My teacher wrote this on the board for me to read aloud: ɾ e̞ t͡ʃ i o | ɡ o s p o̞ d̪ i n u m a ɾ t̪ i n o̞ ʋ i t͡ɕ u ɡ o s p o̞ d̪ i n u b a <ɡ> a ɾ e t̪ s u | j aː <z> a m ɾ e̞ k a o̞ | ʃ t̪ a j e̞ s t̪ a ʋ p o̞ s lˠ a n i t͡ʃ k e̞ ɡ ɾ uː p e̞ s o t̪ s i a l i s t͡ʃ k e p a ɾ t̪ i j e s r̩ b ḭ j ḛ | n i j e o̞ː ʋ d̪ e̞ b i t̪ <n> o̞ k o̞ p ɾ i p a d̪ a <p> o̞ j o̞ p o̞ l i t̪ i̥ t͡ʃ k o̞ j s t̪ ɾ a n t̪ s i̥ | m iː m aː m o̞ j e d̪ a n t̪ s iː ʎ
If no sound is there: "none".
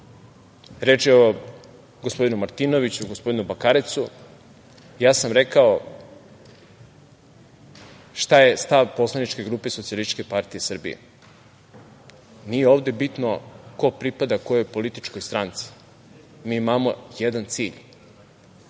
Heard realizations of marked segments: k, s, n, k

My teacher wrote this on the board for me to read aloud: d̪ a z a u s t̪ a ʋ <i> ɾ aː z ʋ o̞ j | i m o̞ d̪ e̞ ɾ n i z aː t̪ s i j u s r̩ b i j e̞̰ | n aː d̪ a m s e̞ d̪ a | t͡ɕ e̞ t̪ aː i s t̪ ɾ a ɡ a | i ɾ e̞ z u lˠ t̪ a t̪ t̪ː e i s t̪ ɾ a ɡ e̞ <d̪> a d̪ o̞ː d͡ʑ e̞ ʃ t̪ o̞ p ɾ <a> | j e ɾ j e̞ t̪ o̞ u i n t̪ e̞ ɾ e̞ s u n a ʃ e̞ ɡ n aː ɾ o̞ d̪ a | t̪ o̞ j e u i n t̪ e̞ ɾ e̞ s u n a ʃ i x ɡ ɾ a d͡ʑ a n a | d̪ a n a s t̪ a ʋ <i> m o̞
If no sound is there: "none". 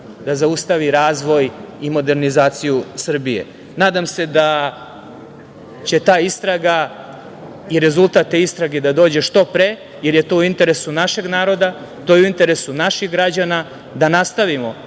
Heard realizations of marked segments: i, d̪, e, i

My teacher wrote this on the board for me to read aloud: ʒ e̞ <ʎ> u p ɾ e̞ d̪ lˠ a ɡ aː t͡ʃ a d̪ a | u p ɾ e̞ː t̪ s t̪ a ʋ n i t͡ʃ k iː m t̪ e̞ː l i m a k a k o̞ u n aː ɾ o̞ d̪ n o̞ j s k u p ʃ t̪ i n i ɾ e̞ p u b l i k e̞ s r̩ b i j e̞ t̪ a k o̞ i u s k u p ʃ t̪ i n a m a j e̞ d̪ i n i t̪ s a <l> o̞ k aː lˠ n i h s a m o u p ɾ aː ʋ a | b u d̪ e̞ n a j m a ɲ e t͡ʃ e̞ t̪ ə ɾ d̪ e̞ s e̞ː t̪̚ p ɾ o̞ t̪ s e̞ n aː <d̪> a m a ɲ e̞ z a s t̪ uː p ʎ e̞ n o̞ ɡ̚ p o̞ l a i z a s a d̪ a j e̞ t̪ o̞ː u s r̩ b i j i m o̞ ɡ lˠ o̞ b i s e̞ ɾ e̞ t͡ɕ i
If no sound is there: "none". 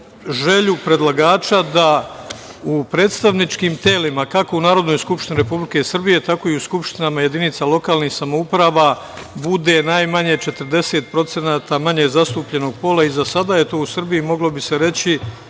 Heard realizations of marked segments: ʎ, l, t̪

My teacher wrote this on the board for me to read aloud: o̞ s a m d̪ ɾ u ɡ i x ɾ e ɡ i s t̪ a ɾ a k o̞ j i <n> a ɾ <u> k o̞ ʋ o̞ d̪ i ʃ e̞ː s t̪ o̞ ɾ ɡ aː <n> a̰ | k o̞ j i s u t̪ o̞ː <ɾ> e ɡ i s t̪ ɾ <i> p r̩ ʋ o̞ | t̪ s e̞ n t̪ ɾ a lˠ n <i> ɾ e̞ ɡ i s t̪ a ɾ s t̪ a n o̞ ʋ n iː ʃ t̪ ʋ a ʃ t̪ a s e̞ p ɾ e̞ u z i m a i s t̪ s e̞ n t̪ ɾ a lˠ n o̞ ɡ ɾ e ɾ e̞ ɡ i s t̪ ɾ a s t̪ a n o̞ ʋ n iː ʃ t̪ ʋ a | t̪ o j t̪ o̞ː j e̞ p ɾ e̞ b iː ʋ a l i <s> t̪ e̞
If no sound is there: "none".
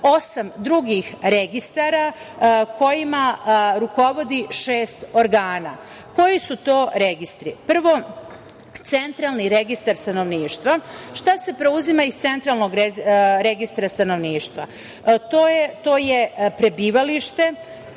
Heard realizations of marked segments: m, u, n, ɾ, i, i, ʃ

